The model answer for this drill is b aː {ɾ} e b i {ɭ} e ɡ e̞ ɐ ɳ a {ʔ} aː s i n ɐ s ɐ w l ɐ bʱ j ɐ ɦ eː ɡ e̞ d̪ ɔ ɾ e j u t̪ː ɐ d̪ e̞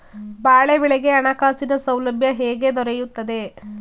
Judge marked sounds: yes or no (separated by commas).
no, yes, no